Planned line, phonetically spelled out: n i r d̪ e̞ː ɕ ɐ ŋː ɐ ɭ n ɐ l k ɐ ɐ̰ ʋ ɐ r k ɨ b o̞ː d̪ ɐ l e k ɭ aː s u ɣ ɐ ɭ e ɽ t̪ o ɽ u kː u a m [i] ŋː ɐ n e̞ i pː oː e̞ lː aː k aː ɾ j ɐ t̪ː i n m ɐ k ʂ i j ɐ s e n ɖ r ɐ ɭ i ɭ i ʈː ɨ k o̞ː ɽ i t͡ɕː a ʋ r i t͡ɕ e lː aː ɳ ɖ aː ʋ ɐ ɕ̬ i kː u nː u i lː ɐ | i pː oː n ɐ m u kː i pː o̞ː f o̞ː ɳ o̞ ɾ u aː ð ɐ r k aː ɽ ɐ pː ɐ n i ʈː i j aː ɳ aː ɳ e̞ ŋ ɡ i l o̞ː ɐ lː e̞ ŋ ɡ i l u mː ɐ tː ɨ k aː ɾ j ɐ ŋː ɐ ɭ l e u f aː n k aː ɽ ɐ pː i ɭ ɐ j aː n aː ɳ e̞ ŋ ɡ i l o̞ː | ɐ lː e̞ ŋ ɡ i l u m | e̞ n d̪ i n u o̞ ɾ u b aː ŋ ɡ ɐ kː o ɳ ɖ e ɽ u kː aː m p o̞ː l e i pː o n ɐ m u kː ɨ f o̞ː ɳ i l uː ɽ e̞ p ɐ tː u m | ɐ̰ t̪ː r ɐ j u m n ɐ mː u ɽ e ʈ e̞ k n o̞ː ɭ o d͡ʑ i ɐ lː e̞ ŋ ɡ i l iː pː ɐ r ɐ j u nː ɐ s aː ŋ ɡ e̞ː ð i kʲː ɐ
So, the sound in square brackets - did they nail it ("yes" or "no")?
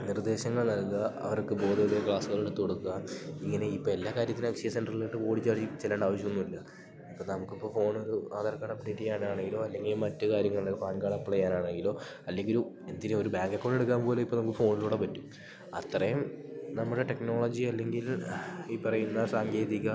yes